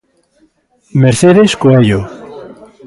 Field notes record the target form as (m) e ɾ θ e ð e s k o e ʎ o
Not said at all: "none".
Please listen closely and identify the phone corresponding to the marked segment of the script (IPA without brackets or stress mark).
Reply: m